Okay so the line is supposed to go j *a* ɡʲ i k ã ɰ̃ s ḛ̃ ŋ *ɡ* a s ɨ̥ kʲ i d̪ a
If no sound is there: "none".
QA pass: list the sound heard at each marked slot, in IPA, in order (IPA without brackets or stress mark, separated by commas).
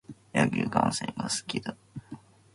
a, ɡ